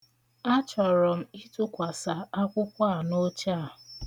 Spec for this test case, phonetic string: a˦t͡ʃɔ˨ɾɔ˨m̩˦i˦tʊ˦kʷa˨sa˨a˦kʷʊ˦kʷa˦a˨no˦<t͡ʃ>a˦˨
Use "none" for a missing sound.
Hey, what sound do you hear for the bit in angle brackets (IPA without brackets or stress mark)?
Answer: t͡ʃ